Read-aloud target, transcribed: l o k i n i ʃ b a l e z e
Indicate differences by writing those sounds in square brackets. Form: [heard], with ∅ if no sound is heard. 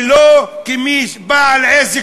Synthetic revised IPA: l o k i [m] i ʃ b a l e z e